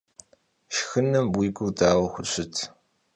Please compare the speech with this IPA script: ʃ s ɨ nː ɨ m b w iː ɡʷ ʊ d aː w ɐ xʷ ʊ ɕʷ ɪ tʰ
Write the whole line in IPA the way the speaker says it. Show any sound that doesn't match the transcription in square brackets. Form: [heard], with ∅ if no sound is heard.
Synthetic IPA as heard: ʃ [x] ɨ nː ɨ m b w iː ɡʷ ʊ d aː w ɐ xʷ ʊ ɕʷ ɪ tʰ